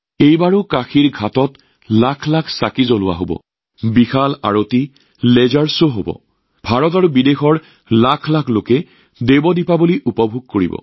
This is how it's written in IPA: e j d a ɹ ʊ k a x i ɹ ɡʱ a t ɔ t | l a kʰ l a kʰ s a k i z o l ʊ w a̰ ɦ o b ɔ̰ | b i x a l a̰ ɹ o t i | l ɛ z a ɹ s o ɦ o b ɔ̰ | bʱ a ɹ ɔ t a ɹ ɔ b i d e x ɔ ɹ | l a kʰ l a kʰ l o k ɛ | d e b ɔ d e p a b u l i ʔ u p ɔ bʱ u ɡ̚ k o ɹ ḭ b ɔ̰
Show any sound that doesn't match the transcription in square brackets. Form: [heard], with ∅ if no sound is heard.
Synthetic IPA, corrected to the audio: e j [b] a ɹ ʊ k a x i ɹ ɡʱ a t ɔ t | l a kʰ l a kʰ s a k i z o l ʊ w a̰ ɦ o b ɔ̰ | b i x a l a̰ ɹ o t i | l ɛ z a ɹ s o ɦ o b ɔ̰ | bʱ a ɹ ɔ t a ɹ [u] b i d e x ɔ ɹ | l a kʰ l a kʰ l o k ɛ | d e b ɔ d [i] p a b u l i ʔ u p ɔ bʱ u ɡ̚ k o ɹ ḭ b ɔ̰